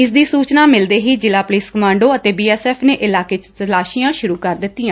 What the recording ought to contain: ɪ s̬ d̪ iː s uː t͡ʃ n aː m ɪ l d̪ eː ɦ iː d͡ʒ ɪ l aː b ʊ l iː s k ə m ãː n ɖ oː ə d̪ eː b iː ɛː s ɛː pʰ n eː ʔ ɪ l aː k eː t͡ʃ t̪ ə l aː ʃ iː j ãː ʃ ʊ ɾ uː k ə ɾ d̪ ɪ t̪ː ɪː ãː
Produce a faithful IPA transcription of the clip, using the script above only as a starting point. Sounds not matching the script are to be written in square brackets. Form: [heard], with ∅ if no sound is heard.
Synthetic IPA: ɪ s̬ d̪ iː s uː t͡ʃ n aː m ɪ l d̪ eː ɦ iː d͡ʒ ɪ l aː [p] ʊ l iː s k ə m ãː [ɳ] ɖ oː ə [t̪] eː b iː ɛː s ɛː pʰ n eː ʔ ɪ l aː k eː t͡ʃ t̪ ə l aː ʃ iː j ãː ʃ ʊ ɾ uː k ə ɾ d̪ ɪ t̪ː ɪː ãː